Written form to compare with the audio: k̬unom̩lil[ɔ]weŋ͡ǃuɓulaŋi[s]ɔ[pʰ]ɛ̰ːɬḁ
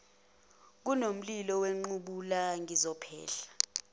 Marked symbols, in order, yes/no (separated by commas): yes, no, yes